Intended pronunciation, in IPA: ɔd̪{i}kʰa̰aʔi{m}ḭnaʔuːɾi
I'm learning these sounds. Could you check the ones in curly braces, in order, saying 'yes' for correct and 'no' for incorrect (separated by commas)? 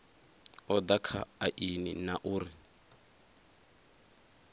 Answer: no, no